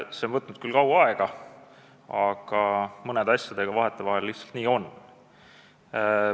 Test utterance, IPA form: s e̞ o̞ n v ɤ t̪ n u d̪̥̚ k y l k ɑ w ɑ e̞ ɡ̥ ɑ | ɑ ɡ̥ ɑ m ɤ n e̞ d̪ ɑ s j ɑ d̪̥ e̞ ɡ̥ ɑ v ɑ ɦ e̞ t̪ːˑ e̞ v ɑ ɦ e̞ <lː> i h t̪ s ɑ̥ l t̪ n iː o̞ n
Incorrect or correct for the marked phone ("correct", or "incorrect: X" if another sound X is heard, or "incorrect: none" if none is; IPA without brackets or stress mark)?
correct